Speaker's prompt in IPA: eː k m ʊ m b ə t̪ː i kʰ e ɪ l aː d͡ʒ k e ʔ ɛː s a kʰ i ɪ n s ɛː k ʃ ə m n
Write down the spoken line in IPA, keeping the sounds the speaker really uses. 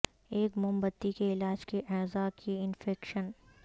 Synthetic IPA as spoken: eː k m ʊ m b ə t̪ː i k e ɪ l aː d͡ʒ k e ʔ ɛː z a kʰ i ɪ n f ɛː k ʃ ə n